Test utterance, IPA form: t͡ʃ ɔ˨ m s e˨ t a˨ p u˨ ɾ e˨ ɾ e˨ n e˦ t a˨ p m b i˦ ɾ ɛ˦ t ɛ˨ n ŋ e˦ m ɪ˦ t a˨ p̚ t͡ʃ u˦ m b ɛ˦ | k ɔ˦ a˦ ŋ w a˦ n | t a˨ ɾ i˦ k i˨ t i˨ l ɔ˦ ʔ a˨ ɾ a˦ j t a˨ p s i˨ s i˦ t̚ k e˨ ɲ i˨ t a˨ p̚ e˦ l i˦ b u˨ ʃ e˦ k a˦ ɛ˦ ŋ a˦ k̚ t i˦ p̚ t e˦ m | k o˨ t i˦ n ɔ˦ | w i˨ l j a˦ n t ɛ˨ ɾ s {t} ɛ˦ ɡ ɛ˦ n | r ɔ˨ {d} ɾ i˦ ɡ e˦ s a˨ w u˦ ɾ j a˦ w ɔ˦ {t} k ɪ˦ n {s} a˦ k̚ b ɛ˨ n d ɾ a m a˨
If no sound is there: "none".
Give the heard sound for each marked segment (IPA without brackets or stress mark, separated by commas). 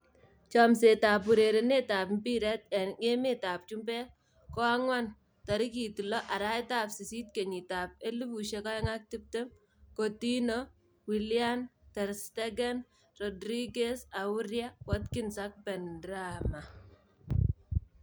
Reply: t, d, t, s